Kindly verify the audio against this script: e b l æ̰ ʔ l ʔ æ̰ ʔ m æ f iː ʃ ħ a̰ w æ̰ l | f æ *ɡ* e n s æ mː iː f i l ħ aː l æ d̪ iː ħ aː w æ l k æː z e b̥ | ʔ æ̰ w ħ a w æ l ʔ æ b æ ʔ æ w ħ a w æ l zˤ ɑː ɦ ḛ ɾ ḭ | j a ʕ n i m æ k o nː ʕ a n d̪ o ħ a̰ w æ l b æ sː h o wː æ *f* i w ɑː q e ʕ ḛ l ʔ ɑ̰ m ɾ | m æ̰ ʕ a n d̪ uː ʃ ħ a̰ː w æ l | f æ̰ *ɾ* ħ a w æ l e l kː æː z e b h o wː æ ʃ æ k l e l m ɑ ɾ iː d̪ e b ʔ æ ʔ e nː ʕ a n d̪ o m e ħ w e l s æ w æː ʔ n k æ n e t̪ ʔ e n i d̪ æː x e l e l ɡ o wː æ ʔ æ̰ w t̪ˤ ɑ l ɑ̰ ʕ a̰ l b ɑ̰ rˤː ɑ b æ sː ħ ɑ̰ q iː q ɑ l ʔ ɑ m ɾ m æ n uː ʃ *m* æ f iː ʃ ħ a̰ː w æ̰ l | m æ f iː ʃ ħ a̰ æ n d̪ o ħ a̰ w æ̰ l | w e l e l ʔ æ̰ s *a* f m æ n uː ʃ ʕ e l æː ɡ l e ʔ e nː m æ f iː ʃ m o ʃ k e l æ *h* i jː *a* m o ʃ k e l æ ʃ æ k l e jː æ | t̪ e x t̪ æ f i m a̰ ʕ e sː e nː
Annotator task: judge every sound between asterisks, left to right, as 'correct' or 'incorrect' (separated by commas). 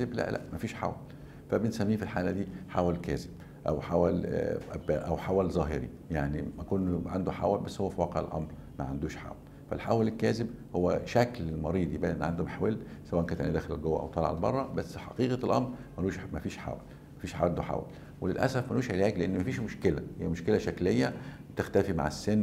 incorrect, correct, incorrect, correct, incorrect, correct, incorrect